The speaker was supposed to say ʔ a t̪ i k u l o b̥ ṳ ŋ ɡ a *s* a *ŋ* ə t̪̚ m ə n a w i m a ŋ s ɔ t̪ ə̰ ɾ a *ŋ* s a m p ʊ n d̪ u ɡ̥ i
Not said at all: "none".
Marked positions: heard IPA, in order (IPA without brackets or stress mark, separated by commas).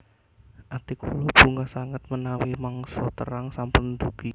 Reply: s, ŋ, ŋ